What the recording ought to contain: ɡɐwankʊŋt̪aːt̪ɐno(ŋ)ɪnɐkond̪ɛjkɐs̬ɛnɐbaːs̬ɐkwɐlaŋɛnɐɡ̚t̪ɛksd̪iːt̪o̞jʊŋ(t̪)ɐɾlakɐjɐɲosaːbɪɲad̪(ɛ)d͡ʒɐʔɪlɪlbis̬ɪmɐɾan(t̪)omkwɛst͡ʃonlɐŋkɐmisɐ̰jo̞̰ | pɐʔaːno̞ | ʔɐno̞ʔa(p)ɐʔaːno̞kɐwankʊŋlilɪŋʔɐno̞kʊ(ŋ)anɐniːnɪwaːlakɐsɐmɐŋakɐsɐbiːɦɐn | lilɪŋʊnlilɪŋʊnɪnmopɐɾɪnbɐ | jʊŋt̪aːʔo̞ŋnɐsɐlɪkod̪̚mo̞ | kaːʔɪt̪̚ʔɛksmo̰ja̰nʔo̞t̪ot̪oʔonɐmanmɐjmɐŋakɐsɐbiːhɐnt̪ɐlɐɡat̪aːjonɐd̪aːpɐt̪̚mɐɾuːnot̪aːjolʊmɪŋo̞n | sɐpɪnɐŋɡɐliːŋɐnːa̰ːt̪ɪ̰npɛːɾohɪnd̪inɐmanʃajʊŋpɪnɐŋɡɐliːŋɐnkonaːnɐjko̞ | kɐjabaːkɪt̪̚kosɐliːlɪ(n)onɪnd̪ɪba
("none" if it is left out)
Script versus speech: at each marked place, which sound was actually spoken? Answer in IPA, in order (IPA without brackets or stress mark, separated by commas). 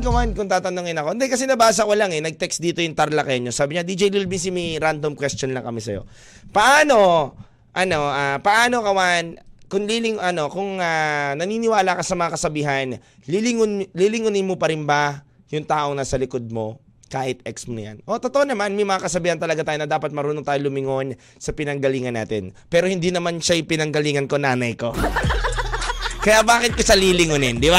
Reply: ŋ, t̪, i, d̪, p, ŋ, ŋ